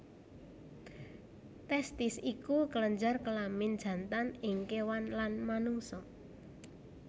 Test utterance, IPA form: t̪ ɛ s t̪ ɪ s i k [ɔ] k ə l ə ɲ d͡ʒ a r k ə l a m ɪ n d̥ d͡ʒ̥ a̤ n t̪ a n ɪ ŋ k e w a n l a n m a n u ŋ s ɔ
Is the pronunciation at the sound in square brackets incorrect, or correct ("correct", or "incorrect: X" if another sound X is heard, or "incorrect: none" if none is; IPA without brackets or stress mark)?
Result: incorrect: u